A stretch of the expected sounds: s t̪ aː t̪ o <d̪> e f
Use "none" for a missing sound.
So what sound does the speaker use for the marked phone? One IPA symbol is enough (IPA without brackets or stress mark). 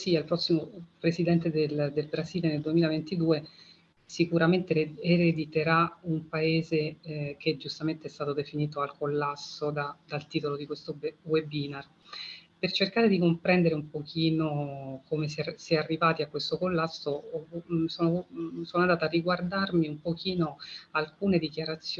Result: d̪